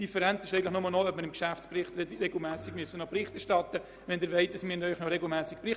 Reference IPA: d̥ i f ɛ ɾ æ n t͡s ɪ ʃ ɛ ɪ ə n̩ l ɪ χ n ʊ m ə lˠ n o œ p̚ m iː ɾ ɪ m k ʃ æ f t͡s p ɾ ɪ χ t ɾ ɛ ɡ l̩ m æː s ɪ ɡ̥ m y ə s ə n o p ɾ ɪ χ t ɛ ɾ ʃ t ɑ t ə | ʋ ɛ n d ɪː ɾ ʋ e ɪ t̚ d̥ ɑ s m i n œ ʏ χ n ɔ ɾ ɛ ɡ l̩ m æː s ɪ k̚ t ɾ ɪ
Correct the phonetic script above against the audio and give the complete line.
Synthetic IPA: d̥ i f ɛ ɾ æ n t͡s ɪ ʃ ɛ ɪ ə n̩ l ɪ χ n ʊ m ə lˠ n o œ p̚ m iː ɾ ɪ m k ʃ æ f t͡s p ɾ ɪ χ t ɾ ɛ ɡ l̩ m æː s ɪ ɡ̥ m y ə s ə n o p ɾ ɪ χ t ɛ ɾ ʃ t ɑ t ə | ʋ ɛ n d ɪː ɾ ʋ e ɪ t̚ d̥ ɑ s m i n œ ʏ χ n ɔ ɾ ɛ ɡ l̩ m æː s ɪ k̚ p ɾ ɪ